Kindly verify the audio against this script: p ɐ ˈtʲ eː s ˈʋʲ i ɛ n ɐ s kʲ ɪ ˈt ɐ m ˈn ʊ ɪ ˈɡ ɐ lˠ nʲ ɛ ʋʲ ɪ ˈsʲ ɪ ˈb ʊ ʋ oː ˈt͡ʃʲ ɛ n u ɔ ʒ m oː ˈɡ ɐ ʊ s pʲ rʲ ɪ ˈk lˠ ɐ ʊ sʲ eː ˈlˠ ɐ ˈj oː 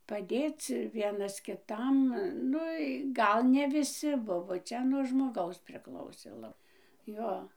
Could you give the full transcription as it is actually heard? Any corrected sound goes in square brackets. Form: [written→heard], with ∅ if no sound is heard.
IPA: p ɐ [ˈtʲ→ˈdʲ] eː [s→t͡s] ˈʋʲ i ɛ n ɐ s kʲ ɪ ˈt ɐ m ˈn ʊ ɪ ˈɡ ɐ lˠ nʲ ɛ ʋʲ ɪ ˈsʲ ɪ ˈb ʊ ʋ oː ˈt͡ʃʲ ɛ n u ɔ ʒ m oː ˈɡ ɐ ʊ s pʲ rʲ ɪ ˈk lˠ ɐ ʊ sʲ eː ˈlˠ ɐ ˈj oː

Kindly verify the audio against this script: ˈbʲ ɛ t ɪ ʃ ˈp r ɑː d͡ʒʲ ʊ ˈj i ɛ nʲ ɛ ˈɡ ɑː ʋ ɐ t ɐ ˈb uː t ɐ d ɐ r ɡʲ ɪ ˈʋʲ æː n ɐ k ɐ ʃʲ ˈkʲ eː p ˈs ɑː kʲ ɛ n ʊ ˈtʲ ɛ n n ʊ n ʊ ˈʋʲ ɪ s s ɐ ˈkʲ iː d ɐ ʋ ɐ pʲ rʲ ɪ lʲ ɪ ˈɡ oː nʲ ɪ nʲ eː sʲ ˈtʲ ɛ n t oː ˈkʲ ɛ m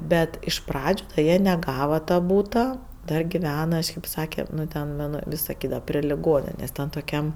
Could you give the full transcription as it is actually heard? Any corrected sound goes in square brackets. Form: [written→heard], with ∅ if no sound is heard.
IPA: ˈbʲ ɛ t ɪ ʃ ˈp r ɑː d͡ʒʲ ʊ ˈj i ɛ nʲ ɛ ˈɡ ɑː ʋ ɐ t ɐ ˈb uː t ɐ d ɐ r ɡʲ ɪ ˈʋʲ æː n ɐ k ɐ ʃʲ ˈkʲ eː p ˈs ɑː kʲ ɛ n ʊ ˈtʲ ɛ n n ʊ n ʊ ˈʋʲ ɪ s s ɐ ˈkʲ iː d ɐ ʋ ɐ pʲ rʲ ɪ lʲ ɪ ˈɡ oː nʲ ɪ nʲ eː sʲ ˈtʲ ɛ n t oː ˈkʲ ɛ m

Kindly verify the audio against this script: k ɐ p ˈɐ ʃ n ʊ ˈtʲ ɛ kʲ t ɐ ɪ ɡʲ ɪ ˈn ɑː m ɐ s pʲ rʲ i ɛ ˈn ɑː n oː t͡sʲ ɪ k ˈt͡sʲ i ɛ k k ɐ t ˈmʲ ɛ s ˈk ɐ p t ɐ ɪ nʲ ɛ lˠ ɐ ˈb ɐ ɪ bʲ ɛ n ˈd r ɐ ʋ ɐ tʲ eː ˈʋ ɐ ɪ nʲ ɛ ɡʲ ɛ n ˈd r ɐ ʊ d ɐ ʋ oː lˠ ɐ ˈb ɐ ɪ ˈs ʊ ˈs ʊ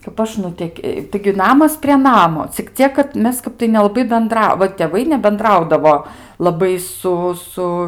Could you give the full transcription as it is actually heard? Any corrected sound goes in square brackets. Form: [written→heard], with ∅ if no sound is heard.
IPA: k ɐ p ˈɐ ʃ n ʊ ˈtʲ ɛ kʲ t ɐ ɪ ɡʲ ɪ ˈn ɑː m ɐ s pʲ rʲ i ɛ ˈn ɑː [n→m] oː t͡sʲ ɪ k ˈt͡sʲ i ɛ k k ɐ t ˈmʲ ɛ s ˈk ɐ p t ɐ ɪ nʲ ɛ lˠ ɐ ˈb ɐ ɪ bʲ ɛ n ˈd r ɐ ʋ ɐ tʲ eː ˈʋ ɐ ɪ nʲ ɛ [ɡʲ→bʲ] ɛ n ˈd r ɐ ʊ d ɐ ʋ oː lˠ ɐ ˈb ɐ ɪ ˈs ʊ ˈs ʊ

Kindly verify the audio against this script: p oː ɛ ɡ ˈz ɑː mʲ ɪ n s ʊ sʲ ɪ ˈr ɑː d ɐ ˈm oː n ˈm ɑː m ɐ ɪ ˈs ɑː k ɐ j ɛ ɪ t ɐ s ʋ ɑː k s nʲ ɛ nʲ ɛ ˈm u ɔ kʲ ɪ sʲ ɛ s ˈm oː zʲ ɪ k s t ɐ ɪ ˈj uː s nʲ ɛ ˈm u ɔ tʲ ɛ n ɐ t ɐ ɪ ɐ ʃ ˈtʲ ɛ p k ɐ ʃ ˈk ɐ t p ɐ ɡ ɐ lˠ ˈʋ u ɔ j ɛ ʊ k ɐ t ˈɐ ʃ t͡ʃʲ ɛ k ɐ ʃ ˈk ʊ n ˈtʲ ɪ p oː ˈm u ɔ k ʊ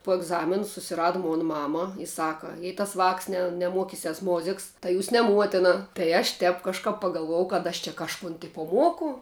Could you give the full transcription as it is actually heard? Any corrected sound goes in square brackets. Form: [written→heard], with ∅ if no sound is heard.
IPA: p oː ɛ ɡ ˈz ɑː mʲ ɪ n s ʊ sʲ ɪ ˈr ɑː d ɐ ˈm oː n ˈm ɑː m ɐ ɪ ˈs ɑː k ɐ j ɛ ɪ t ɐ s ʋ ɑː k s nʲ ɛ nʲ ɛ ˈm u ɔ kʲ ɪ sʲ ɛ s ˈm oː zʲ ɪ k s t ɐ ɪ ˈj uː s nʲ ɛ ˈm u ɔ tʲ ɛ n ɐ t ɐ ɪ ɐ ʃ ˈtʲ ɛ p k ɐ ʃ ˈk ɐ [t→p] p ɐ ɡ ɐ lˠ ˈʋ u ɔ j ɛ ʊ k ɐ t ˈɐ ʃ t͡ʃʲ ɛ k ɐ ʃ ˈk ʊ n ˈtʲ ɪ p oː ˈm u ɔ k ʊ

